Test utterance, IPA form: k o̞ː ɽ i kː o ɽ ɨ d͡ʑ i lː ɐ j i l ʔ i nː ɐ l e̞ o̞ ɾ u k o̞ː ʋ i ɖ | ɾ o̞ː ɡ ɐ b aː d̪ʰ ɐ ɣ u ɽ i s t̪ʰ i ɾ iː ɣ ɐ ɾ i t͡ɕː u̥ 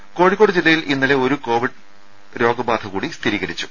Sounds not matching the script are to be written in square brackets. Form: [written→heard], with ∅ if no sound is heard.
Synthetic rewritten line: k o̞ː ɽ i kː o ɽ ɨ d͡ʑ i lː ɐ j i l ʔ i nː ɐ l e̞ o̞ ɾ u k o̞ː ʋ i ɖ | ɾ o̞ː ɡ ɐ b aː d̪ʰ ɐ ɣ [u→uː] ɽ i s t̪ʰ i ɾ iː ɣ ɐ ɾ i t͡ɕː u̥